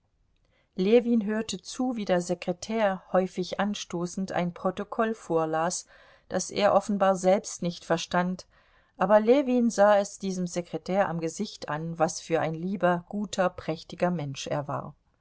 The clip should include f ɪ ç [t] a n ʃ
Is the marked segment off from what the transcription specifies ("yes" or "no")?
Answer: yes